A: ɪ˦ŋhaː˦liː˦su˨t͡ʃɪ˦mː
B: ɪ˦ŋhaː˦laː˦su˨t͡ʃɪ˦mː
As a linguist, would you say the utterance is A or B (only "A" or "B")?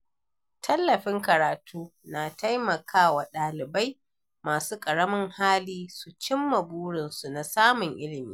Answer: A